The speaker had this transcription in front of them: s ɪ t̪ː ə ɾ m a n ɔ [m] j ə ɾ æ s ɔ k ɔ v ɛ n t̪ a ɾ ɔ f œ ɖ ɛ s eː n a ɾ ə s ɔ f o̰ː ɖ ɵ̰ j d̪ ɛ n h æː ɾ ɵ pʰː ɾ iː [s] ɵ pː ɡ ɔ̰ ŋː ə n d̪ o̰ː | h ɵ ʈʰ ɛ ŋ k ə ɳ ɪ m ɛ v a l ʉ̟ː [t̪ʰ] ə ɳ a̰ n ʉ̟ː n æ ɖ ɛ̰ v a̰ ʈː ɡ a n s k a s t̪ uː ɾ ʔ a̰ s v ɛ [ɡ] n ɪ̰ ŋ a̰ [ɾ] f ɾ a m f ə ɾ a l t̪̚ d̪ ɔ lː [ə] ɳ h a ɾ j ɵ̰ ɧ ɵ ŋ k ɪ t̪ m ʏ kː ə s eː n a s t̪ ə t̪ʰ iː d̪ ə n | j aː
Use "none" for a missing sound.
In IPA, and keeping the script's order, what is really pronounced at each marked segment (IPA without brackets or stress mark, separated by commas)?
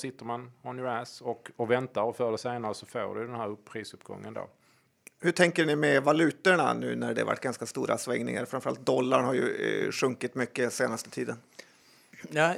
n, s, t̪, ŋ, ɾ, a